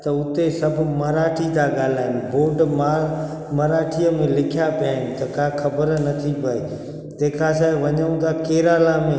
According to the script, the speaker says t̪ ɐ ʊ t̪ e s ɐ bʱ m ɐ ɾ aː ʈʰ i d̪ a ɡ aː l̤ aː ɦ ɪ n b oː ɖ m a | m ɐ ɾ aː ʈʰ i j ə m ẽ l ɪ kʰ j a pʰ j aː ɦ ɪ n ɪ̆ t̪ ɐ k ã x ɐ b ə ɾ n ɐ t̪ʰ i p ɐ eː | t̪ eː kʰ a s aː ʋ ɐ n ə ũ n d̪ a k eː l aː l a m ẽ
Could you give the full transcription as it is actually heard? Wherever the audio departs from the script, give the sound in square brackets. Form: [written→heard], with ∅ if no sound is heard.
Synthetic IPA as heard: t̪ ɐ ʊ t̪ e s ɐ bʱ m ɐ ɾ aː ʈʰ i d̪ a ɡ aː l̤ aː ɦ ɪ n b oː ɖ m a | m ɐ ɾ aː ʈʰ i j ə m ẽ l ɪ kʰ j a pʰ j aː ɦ ɪ n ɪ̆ t̪ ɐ k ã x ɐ b ə ɾ n ɐ t̪ʰ i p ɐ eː | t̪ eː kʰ a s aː ʋ ɐ [n→ɲ] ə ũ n d̪ a k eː [l→ɾ] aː l a m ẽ